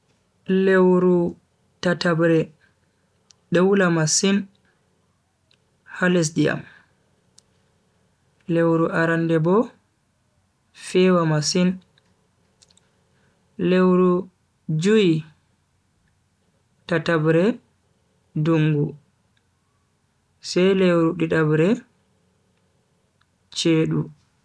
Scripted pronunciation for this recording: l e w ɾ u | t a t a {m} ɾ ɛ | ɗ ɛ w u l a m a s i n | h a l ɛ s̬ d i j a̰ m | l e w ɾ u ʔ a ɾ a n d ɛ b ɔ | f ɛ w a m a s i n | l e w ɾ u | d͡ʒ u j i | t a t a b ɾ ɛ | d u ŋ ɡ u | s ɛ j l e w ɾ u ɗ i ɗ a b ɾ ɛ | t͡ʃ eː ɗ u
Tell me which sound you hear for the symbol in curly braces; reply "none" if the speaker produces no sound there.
b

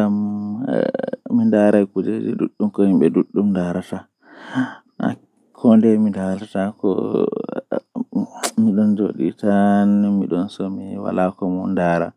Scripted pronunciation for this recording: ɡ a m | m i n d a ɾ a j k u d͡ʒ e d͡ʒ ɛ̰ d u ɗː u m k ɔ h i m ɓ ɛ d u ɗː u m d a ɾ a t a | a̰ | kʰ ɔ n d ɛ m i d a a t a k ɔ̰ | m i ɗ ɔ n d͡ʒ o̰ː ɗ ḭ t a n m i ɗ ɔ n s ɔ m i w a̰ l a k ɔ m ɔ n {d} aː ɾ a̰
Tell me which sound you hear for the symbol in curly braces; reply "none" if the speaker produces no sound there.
d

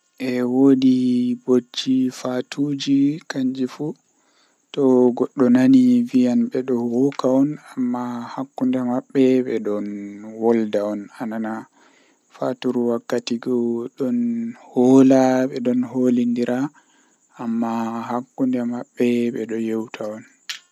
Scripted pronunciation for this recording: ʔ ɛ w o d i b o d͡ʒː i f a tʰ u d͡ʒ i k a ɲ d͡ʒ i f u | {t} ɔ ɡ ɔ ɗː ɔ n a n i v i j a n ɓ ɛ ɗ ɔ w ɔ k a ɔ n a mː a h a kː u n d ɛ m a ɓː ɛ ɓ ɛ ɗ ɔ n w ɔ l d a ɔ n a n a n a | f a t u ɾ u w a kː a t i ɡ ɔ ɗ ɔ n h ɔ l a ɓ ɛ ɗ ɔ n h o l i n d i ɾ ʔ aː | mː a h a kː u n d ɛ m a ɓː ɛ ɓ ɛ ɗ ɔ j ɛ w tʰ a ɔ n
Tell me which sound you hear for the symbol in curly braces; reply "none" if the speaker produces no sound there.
t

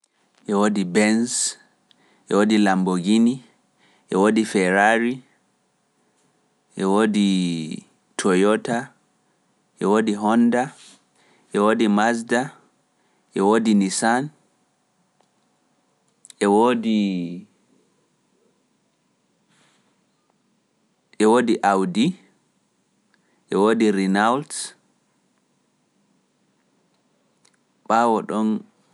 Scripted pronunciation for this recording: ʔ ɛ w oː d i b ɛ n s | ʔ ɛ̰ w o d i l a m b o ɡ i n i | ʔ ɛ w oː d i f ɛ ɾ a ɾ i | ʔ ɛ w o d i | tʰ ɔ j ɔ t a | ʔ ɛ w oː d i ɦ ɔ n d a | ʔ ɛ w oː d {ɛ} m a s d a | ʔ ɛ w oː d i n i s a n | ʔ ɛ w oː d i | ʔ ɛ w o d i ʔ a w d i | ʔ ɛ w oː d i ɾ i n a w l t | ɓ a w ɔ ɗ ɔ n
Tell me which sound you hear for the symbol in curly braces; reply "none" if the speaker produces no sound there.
i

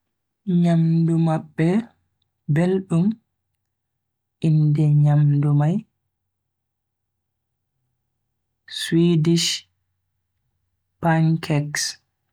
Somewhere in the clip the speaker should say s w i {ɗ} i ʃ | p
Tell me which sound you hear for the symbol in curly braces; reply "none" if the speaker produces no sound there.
d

